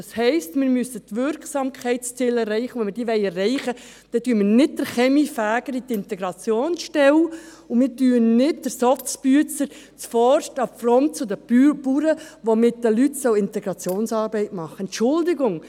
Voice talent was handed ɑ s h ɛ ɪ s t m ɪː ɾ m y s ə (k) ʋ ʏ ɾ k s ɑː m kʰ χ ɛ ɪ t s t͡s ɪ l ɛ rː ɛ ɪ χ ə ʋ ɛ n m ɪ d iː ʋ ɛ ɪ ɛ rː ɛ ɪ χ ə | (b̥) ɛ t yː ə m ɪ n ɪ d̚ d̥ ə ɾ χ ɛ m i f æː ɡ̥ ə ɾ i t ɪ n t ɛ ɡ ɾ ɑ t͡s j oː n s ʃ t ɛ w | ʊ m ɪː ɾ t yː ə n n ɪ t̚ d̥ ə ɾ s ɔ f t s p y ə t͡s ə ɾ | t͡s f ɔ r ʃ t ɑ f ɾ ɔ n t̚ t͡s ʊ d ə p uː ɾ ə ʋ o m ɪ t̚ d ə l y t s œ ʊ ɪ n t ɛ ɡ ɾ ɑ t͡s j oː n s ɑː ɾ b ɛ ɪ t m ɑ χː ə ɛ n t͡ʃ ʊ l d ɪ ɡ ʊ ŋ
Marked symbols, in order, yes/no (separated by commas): no, no